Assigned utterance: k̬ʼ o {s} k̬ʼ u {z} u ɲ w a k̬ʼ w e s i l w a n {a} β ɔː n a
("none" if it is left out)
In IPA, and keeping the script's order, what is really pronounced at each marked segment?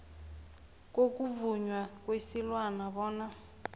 none, v, a

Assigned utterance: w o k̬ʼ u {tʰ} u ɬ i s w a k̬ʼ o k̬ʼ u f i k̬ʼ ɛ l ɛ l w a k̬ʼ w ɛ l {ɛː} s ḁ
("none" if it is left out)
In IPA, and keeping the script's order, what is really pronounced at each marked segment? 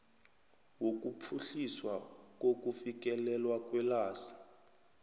pʰ, aː

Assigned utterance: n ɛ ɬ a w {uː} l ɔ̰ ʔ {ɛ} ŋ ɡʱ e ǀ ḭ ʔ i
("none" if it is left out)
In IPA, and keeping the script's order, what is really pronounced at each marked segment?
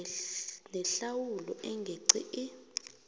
u, ɛ

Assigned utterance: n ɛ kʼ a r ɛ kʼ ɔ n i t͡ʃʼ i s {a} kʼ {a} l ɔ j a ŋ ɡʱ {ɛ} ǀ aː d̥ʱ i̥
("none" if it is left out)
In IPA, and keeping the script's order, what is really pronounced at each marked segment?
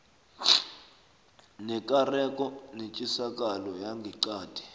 a, a, i

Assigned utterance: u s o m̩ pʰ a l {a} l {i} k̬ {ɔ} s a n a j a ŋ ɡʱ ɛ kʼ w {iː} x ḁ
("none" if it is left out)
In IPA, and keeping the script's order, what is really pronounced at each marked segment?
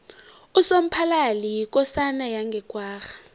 a, i, ɔ, aː

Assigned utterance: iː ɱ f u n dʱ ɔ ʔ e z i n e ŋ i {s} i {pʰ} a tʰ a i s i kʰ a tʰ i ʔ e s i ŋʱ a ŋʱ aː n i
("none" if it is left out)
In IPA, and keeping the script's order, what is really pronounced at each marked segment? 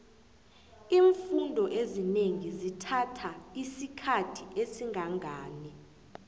z, tʰ

